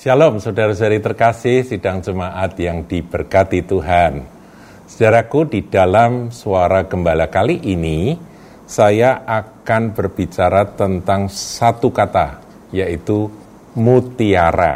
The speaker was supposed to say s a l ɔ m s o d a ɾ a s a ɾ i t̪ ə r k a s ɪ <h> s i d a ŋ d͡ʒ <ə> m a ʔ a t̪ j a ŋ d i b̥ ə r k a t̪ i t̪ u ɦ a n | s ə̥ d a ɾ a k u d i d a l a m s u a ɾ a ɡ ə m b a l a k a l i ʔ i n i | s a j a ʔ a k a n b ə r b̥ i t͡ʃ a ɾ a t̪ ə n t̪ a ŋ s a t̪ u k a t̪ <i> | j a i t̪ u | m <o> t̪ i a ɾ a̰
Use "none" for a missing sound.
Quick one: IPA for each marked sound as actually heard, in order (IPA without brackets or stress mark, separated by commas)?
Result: h, ə, a, u